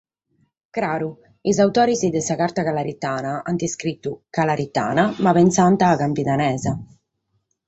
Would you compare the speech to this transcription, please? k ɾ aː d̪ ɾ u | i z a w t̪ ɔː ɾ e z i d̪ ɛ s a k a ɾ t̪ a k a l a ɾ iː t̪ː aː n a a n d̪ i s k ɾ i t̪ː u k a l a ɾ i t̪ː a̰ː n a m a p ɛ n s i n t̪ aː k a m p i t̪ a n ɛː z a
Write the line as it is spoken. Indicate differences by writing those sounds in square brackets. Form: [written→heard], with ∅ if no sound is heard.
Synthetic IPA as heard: k ɾ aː [d̪→∅] ɾ u | i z a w t̪ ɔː ɾ [e→i] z i d̪ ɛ s a k a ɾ t̪ a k a l a ɾ [iː→i] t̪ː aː n a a n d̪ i s k ɾ i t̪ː u k a l a ɾ i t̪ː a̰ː n a m a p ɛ n s [i→a] n t̪ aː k a m p i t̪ a n ɛː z a